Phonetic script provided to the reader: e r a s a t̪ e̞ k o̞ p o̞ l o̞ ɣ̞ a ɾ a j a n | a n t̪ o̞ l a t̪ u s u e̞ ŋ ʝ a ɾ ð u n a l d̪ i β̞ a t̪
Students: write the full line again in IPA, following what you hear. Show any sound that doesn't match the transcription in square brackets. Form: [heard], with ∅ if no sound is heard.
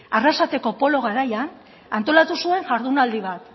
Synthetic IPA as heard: [a] r a s a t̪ e̞ k o̞ p o̞ l o̞ ɣ̞ a ɾ a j a n | a n t̪ o̞ l a t̪ u s u e̞ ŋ ʝ a ɾ ð u n a l d̪ i β̞ a t̪